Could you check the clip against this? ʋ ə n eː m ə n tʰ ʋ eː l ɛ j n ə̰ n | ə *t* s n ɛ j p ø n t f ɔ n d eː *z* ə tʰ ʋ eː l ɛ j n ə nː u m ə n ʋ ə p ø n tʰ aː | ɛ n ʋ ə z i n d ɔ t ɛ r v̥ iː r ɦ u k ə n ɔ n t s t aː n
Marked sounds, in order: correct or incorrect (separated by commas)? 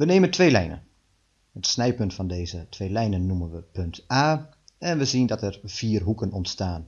correct, correct